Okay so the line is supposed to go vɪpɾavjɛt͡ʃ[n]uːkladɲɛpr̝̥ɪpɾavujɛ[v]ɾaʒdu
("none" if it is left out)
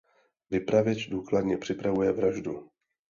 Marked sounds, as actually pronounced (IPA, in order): d, v

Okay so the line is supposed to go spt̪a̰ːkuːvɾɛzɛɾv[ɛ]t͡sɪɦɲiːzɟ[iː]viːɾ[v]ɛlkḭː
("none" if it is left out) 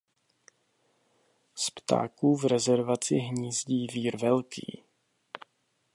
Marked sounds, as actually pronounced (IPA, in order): a, iː, v

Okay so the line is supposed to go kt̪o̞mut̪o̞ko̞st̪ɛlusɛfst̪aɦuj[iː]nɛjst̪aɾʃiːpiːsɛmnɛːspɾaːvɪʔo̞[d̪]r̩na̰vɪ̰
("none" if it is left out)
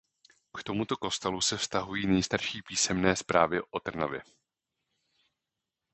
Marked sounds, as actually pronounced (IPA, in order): iː, t̪

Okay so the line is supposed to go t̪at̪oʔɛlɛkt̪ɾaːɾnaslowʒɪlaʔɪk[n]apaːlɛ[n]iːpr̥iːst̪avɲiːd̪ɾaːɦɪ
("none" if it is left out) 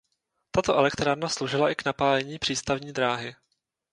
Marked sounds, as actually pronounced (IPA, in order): n, ɲ

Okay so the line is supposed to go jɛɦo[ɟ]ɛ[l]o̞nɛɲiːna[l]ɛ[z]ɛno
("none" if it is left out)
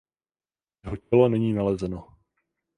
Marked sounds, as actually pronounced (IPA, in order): c, l, l, z

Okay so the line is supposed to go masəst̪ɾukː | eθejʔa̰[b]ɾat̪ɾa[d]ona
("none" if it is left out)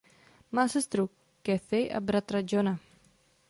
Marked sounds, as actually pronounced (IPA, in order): b, d͡ʒ

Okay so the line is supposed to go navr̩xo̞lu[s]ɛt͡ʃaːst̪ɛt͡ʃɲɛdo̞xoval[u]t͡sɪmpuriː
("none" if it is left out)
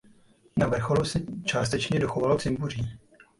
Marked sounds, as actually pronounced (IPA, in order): s, o

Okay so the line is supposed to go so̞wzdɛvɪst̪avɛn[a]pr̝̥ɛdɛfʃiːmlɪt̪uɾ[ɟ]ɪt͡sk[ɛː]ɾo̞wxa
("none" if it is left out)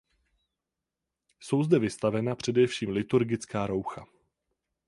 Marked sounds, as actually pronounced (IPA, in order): a, ɡ, aː

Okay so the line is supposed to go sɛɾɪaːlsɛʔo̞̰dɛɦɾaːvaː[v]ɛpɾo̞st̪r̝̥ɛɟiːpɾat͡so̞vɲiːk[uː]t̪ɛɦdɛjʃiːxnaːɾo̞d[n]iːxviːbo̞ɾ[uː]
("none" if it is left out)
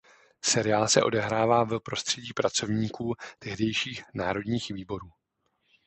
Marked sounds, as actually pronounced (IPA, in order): v, uː, ɲ, uː

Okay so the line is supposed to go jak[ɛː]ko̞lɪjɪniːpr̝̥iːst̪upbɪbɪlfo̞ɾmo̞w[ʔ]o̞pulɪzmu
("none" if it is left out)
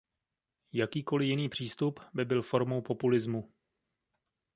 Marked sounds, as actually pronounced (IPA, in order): iː, p

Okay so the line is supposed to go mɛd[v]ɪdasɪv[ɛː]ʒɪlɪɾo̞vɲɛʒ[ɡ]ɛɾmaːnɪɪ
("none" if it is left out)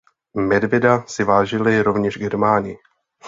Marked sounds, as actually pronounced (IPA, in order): v, aː, ɡ

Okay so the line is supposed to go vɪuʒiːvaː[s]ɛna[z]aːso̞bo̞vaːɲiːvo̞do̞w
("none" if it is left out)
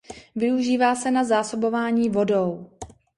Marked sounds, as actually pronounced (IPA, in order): s, z

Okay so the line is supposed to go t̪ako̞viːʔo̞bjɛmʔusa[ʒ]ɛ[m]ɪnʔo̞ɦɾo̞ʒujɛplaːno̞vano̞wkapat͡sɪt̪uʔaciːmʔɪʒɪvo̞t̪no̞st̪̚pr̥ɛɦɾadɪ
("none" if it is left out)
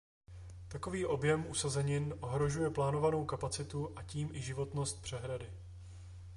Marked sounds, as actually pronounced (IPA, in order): z, ɲ

